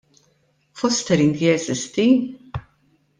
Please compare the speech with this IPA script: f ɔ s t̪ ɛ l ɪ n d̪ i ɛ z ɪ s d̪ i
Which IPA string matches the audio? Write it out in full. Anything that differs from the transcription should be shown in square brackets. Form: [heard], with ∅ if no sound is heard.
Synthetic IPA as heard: f ɔ s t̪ ɛ [ɾ] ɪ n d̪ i ɛ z ɪ s [t̪] i